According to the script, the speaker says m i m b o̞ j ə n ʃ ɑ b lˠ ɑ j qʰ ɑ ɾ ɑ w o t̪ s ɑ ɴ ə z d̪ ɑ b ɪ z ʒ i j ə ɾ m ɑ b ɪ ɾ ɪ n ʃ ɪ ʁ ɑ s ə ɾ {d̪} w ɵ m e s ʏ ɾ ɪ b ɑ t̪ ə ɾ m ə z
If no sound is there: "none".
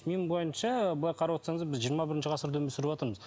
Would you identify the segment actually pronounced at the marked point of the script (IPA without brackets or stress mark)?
d̪